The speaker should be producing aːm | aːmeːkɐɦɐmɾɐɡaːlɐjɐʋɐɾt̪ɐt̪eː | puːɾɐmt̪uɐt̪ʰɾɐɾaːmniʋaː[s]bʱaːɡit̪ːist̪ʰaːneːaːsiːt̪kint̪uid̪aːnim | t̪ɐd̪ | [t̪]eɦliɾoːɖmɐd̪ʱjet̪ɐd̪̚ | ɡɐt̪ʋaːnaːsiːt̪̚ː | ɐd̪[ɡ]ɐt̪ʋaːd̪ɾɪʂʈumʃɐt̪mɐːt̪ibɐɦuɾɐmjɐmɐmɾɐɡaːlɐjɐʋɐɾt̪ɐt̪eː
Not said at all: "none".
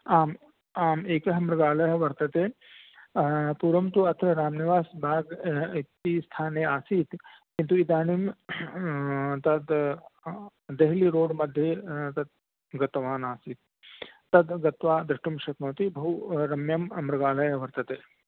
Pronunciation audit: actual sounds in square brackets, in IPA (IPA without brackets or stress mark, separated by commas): s, d̪, ɡ